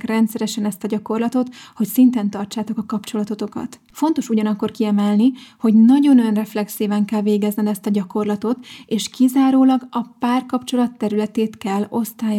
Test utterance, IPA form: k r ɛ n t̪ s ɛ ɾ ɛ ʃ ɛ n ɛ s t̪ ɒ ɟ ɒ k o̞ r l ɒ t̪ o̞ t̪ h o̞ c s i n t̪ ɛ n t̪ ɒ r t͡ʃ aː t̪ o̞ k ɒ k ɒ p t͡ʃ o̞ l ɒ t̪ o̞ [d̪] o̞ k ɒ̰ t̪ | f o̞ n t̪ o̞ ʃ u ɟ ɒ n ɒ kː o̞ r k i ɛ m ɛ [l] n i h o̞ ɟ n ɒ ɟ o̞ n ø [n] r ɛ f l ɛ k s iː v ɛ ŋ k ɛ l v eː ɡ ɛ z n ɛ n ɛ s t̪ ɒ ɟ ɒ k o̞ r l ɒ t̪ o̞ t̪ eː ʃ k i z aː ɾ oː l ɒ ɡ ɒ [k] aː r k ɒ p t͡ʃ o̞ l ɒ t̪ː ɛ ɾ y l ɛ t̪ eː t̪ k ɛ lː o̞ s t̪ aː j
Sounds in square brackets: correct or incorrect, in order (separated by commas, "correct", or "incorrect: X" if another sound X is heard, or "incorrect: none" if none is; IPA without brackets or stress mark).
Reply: incorrect: t̪, correct, correct, incorrect: p